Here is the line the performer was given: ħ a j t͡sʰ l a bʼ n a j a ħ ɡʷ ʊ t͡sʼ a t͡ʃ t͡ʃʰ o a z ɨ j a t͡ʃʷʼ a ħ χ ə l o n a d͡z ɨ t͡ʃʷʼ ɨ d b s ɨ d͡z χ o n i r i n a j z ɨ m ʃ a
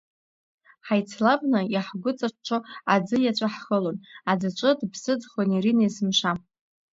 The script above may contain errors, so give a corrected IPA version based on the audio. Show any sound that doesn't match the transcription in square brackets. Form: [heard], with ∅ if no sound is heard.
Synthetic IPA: ħ a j t͡sʰ l a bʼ n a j a ħ ɡʷ ʊ t͡sʼ a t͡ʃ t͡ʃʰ o a [d͡z] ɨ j a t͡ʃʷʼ a ħ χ ə l o n a d͡z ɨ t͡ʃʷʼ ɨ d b s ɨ d͡z χ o n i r i n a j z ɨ m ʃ a